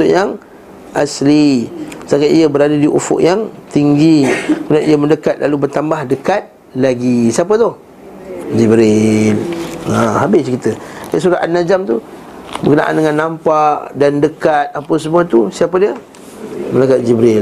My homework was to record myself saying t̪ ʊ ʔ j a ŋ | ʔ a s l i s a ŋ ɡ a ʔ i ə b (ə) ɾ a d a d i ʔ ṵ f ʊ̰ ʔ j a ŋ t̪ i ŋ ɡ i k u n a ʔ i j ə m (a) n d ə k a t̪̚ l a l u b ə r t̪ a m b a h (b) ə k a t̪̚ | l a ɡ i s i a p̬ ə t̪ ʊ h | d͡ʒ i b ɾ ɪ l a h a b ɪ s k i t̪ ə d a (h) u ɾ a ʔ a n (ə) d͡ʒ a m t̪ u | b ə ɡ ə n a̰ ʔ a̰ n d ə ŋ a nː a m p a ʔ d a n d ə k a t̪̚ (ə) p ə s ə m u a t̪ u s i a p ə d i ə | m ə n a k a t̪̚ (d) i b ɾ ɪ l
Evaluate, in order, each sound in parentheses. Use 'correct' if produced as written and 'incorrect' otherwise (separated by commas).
correct, incorrect, incorrect, incorrect, incorrect, incorrect, incorrect